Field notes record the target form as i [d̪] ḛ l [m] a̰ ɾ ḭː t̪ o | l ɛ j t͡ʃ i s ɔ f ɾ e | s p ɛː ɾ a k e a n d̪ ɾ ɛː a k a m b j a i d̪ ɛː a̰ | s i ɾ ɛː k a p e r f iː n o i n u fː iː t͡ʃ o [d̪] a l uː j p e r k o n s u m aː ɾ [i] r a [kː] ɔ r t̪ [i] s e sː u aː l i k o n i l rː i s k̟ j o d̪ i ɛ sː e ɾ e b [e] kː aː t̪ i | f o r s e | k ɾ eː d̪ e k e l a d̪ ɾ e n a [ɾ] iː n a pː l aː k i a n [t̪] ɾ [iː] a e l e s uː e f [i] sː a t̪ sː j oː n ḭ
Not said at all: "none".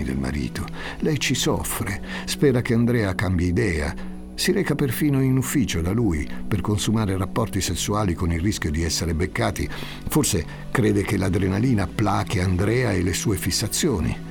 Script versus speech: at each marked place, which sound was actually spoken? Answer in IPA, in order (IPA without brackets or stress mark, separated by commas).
d̪, m, d̪, e, pː, i, e, l, d̪, ɛː, i